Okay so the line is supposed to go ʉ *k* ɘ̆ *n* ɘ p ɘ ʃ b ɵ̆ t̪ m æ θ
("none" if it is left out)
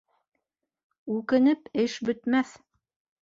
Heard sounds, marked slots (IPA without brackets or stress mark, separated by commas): k, n